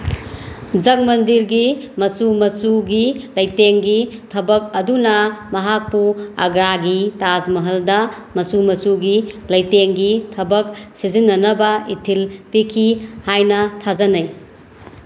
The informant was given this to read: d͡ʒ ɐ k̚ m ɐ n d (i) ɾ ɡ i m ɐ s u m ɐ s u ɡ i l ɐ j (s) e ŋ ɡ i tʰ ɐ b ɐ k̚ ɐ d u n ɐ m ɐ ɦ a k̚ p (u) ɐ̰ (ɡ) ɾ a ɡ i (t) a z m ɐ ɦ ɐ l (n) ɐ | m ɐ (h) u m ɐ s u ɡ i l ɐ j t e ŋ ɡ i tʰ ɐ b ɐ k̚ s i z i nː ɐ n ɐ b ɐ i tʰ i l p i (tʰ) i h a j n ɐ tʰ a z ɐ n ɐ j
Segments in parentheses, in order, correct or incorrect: correct, incorrect, correct, correct, correct, incorrect, incorrect, incorrect

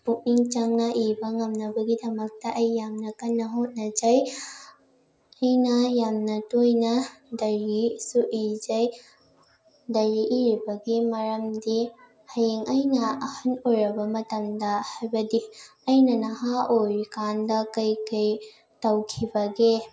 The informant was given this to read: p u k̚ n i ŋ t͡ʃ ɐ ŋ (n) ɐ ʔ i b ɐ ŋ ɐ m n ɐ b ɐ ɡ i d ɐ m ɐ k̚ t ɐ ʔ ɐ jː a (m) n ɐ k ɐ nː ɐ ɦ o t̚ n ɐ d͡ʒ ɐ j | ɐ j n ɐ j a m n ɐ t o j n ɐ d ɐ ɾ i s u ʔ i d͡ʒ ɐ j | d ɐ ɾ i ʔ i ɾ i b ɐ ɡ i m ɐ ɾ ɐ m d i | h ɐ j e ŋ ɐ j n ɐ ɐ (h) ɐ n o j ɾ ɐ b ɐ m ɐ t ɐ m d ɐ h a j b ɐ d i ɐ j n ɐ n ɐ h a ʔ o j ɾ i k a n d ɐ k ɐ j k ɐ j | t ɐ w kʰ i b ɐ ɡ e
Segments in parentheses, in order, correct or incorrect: correct, correct, correct

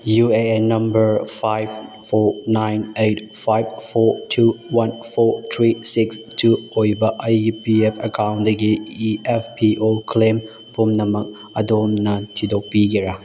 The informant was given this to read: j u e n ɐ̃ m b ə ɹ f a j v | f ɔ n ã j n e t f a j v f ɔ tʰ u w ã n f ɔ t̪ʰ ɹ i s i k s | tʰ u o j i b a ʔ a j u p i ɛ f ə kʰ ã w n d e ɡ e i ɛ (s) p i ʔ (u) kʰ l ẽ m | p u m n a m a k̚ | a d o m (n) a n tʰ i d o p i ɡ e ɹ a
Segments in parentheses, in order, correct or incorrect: incorrect, incorrect, correct

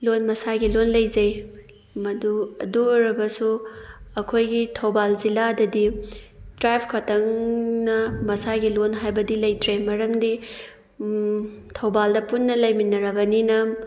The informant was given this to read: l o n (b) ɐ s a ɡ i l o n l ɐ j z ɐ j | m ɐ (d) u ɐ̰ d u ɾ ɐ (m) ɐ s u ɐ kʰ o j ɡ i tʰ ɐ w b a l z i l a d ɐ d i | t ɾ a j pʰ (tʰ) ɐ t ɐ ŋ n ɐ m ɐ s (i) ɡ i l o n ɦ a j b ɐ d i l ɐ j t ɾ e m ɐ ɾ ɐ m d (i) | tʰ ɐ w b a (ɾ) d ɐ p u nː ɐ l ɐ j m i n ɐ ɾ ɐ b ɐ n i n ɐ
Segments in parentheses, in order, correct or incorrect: incorrect, correct, incorrect, incorrect, incorrect, correct, incorrect

